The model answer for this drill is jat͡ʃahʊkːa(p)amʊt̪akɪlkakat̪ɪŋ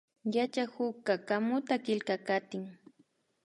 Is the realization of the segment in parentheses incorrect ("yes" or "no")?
yes